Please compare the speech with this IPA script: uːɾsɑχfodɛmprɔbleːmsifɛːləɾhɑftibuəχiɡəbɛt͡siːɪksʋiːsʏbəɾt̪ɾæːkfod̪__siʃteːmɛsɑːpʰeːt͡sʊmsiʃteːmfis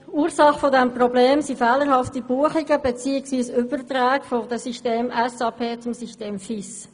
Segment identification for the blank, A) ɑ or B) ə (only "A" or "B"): B